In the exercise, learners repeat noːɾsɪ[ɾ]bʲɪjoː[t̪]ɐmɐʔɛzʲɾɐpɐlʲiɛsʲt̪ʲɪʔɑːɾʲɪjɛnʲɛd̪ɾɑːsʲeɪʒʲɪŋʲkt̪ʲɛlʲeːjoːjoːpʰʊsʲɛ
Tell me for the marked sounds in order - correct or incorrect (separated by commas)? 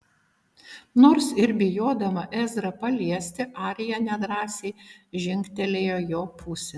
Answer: correct, incorrect